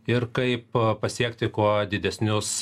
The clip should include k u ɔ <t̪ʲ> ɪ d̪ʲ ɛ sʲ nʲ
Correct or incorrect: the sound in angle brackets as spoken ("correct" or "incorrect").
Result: incorrect